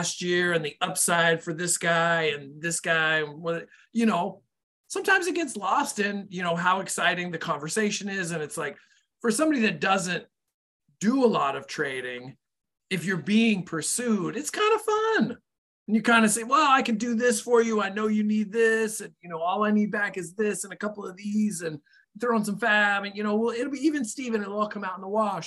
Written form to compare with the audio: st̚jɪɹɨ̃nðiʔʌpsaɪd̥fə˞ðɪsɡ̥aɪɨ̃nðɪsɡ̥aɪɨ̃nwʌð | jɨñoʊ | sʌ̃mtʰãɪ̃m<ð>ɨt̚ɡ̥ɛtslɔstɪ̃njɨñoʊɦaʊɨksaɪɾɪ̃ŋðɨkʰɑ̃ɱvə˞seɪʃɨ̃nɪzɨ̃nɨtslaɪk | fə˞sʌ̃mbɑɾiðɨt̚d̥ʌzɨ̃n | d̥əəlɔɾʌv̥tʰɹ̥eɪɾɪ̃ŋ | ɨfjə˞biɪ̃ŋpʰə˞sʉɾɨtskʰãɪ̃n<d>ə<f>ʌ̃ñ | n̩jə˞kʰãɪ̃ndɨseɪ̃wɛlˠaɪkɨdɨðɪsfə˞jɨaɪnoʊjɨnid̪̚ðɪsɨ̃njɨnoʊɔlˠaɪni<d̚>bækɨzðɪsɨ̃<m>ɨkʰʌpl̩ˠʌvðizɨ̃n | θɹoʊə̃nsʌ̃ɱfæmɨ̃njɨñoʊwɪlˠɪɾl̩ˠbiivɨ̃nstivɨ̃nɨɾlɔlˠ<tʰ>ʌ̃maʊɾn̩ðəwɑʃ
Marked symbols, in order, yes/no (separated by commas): no, yes, yes, yes, no, no